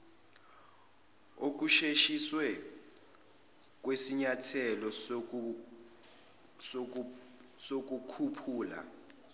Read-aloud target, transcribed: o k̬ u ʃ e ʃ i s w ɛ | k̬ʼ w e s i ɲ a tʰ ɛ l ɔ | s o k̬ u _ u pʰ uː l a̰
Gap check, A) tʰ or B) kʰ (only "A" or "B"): B